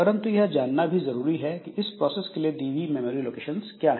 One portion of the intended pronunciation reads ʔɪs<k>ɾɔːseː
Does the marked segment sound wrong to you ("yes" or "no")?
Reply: yes